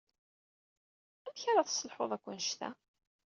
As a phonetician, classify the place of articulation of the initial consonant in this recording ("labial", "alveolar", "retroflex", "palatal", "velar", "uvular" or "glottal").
labial